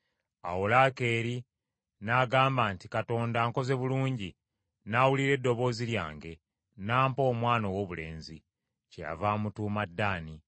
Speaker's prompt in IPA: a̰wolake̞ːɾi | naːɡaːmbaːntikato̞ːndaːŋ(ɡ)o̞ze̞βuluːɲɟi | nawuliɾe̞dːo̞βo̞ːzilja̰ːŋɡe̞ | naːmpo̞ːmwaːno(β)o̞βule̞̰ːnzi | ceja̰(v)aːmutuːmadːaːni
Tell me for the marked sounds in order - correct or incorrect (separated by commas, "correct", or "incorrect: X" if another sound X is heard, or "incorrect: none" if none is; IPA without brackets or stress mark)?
incorrect: k, incorrect: w, correct